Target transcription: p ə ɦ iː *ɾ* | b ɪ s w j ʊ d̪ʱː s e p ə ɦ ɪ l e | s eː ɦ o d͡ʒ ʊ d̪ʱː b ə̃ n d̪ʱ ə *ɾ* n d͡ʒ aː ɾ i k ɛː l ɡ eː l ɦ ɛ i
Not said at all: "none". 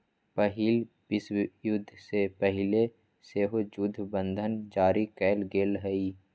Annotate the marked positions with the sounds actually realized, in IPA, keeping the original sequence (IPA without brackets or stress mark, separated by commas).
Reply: l, none